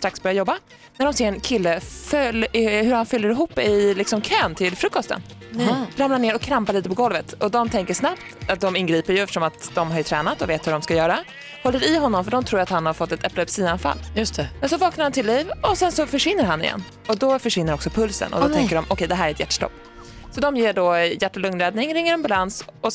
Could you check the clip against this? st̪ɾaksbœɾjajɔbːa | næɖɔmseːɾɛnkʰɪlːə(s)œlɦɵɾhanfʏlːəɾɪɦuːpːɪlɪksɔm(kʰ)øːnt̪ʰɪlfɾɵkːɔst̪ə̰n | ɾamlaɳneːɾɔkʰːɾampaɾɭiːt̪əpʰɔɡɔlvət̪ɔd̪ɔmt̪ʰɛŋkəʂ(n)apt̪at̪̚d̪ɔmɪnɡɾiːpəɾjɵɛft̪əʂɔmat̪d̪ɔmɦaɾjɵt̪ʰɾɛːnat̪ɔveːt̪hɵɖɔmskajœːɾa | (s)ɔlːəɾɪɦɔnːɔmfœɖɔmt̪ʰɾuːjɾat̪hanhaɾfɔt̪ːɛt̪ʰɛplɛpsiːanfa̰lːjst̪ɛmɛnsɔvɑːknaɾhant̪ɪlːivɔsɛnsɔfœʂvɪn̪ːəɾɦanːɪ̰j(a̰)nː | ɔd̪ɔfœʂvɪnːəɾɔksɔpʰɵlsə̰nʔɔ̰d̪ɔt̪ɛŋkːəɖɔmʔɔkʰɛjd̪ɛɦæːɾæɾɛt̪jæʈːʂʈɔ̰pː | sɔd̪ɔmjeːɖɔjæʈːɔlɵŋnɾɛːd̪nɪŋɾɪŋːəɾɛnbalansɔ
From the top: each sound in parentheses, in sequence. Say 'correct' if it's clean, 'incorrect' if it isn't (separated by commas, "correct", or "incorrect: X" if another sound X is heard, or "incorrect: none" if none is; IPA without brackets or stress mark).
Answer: incorrect: f, correct, correct, incorrect: h, incorrect: ɛ̰